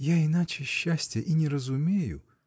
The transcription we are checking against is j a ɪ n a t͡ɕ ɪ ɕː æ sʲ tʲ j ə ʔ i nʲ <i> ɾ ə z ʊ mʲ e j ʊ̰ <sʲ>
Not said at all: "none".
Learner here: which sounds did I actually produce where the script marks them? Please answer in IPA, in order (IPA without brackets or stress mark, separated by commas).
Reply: ɪ, none